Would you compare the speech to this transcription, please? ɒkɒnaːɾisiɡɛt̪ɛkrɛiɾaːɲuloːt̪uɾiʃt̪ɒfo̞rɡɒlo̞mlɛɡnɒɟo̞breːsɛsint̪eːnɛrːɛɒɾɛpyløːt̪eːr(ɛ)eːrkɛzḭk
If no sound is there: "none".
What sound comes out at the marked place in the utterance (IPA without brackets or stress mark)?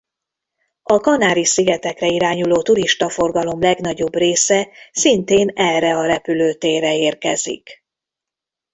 ɛ